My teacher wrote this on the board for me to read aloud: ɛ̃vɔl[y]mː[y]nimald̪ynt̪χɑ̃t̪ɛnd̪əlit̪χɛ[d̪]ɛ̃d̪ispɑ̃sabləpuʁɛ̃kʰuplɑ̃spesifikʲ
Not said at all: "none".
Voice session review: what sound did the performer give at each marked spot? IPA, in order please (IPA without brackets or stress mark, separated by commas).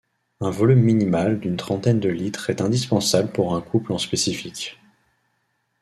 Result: y, i, t̪